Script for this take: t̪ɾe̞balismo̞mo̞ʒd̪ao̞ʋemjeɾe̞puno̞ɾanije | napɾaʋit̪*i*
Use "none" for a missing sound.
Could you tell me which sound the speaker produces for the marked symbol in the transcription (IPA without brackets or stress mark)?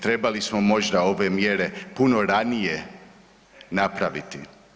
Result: i